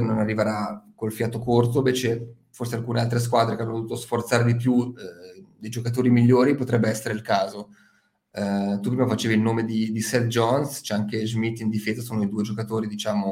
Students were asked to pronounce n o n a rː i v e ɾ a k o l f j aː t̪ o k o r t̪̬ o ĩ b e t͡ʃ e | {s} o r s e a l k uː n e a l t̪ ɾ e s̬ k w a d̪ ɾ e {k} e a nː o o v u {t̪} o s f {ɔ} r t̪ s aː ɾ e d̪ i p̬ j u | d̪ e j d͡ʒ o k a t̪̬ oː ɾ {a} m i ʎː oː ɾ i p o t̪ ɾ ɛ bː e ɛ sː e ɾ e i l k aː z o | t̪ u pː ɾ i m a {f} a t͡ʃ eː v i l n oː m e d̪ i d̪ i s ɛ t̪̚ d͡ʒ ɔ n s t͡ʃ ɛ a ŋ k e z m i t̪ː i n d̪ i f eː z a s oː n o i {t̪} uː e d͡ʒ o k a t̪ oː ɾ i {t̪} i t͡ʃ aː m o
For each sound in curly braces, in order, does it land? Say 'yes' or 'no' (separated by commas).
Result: no, yes, yes, no, no, yes, no, no